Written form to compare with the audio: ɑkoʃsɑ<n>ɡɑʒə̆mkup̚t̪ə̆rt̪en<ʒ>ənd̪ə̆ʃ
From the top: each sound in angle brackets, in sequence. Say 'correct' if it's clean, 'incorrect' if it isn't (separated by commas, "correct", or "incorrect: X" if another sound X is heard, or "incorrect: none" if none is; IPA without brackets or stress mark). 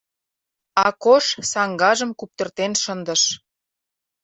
incorrect: ŋ, incorrect: ʃ